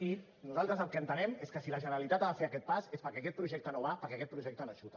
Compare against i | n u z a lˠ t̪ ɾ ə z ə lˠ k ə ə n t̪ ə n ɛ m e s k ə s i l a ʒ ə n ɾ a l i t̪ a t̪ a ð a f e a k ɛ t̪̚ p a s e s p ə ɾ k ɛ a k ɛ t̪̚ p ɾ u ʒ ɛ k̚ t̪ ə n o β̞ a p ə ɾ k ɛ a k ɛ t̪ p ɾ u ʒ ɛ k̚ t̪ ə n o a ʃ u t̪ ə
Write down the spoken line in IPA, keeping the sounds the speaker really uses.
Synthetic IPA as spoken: i | n u z a lˠ t̪ ɾ ə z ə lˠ k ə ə n t̪ ə n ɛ m e s k ə s i l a ʒ ə n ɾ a l i t̪ a t̪ a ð a f e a k ɛ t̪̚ p a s e s p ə ɾ k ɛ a k ɛ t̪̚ p ɾ u ʒ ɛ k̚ t̪ ə n o β̞ a p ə ɾ k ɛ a k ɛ t̪ p ɾ u ʒ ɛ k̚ t̪ ə n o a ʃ u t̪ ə